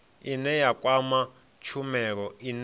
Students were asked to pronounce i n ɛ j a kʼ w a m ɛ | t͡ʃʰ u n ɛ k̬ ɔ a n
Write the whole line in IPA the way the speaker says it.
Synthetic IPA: i n ɛ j a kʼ w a m a | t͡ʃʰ u m ɛ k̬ ɔ i n